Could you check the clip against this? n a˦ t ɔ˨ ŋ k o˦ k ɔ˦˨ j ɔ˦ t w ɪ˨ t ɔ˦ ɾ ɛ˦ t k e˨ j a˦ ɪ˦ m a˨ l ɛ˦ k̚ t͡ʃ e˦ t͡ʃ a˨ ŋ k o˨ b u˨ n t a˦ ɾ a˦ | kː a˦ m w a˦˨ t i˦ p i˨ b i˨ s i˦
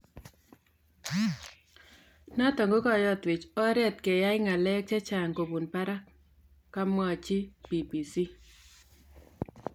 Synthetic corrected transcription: n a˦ t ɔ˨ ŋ ɡ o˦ k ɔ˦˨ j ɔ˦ t w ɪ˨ t͡ʃ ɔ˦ ɾ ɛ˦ t k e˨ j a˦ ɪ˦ ŋ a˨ l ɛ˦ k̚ t͡ʃ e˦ t͡ʃ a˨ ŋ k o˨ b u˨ n p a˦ ɾ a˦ | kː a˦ m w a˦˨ t͡ʃ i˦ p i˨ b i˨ s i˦